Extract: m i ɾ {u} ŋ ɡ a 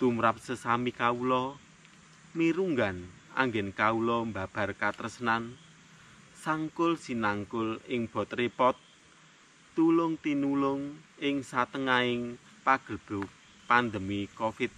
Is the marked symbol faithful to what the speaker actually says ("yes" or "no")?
yes